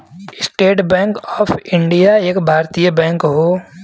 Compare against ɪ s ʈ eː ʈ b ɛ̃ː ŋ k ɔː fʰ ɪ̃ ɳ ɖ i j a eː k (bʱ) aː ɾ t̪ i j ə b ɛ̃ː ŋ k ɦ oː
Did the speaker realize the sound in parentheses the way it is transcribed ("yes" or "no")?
yes